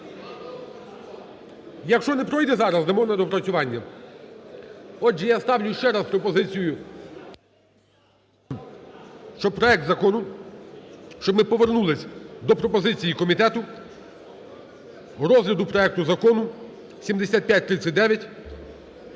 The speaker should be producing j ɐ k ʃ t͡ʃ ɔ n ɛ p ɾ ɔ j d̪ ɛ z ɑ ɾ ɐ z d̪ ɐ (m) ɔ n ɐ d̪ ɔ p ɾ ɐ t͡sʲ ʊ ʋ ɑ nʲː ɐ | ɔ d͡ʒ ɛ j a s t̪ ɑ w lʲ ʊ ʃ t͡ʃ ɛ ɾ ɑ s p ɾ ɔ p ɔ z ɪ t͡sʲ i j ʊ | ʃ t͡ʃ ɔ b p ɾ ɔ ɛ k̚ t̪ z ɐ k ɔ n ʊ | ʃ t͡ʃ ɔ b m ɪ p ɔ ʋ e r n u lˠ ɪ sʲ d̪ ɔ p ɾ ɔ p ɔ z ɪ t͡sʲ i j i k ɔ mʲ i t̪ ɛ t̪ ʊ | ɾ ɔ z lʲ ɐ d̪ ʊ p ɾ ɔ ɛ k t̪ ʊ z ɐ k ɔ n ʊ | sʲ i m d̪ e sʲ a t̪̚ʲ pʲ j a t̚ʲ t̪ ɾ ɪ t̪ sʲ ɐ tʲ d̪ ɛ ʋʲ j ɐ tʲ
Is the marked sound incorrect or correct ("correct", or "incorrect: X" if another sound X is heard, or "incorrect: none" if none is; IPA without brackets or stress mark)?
correct